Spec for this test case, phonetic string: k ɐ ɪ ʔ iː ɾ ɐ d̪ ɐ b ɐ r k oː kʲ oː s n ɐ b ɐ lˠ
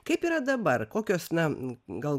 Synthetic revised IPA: k ɐ ɪ p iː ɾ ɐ d̪ ɐ b ɐ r k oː kʲ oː s n ɐ ɡ ɐ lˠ